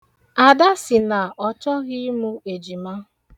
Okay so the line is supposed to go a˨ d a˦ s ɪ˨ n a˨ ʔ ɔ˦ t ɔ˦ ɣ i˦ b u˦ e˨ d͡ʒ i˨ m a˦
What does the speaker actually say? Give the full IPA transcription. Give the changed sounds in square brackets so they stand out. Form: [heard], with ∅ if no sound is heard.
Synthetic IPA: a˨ d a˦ s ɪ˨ n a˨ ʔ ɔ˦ [t͡ʃ] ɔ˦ ɣ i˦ [m] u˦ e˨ d͡ʒ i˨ m a˦